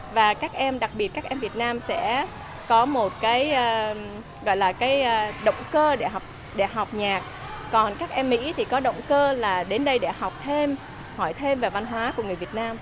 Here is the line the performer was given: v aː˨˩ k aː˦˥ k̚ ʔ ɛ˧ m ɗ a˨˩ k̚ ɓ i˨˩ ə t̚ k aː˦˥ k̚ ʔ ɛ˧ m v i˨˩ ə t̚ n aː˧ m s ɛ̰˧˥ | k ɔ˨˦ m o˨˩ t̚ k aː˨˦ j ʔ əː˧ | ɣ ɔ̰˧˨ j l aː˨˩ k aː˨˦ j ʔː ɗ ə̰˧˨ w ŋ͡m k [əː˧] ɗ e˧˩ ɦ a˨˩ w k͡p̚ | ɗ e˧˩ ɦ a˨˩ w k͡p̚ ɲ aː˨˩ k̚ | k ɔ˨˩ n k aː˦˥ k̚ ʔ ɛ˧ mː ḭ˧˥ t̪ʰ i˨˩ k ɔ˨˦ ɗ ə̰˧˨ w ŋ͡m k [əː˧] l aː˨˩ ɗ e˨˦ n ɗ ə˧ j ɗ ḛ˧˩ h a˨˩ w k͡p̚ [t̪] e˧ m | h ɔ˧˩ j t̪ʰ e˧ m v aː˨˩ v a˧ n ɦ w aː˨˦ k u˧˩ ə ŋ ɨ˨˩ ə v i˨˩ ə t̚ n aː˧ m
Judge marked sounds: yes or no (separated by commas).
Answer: yes, yes, no